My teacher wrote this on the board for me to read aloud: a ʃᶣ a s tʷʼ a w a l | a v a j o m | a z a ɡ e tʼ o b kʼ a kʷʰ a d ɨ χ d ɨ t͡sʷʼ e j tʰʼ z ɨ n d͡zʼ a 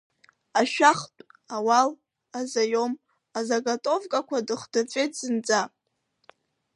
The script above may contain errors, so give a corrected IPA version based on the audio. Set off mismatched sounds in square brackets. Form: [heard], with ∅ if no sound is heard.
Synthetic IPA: a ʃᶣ a [χ] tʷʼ a w a l | a [z] a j o m | a z a ɡ [a] tʼ o [v] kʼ a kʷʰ a d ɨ χ d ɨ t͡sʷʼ e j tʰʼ z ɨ n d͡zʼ a